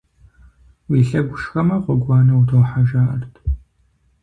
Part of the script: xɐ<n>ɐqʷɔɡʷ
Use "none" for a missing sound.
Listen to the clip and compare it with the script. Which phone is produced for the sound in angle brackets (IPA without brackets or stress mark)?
m